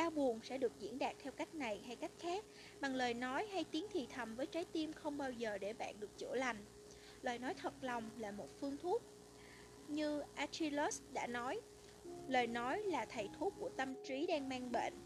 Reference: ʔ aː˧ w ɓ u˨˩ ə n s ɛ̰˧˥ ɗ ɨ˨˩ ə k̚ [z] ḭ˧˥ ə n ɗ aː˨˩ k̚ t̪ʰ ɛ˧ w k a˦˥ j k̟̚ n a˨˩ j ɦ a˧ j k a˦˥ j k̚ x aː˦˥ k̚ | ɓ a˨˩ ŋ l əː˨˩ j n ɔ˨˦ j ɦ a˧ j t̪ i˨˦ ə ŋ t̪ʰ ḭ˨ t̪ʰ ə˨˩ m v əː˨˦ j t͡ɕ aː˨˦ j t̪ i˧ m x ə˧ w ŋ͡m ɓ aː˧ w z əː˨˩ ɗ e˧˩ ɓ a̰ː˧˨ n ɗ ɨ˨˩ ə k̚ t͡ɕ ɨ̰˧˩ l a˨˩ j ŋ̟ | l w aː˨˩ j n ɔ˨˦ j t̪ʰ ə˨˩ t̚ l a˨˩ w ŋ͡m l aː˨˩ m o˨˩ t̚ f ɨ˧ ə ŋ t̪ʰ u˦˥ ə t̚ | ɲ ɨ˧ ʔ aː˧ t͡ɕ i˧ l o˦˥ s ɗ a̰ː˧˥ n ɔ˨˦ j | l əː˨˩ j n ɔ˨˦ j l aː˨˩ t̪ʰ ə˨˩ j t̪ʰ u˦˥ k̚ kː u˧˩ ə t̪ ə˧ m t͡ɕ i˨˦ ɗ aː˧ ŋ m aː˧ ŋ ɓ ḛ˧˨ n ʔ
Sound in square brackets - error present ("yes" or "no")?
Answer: no